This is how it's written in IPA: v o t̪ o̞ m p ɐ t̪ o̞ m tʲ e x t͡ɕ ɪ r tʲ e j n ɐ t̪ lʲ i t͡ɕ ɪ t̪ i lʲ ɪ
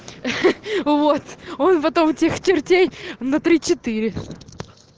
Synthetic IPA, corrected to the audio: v o t̪ o̞ n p ɐ t̪ o̞ m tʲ e x t͡ɕ ɪ r tʲ e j n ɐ t̪ ɾʲ i t͡ɕ ɪ t̪ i ɾʲ ɪ